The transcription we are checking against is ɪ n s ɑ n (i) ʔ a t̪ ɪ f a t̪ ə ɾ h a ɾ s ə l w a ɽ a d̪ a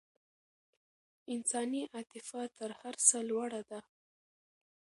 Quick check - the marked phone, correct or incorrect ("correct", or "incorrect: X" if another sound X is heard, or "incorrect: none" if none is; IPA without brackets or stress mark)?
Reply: correct